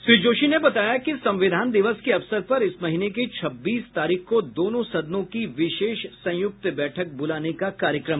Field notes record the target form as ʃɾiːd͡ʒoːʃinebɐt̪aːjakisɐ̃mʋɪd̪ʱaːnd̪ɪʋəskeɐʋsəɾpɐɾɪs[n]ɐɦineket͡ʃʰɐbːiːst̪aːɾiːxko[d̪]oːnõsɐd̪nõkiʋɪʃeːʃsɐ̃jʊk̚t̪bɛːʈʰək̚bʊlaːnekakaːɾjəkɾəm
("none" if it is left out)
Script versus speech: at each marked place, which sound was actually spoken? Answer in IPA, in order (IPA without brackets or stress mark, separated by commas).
m, d̪